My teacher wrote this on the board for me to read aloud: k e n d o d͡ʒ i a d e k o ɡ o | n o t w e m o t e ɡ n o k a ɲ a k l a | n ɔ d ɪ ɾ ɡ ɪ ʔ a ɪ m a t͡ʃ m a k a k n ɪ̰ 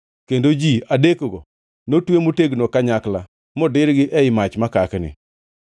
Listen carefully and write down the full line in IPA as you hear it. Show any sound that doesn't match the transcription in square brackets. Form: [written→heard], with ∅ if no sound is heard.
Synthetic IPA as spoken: k e n d o d͡ʒ i a d e k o ɡ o | n o t w e m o t e ɡ n o k a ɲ a k l a | [n→m] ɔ d ɪ ɾ ɡ ɪ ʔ [a→ɛ] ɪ m a t͡ʃ m a k a k n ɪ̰